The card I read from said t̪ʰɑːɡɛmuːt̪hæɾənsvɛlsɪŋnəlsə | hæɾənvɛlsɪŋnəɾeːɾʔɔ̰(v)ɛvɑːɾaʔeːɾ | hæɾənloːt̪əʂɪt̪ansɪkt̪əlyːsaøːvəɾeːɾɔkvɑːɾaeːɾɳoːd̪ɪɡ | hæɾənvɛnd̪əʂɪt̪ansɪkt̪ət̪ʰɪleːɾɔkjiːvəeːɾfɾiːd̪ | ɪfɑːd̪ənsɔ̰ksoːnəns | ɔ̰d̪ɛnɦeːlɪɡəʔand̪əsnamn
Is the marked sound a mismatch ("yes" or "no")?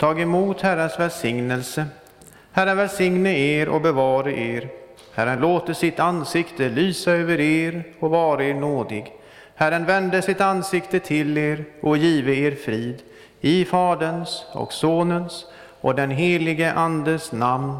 yes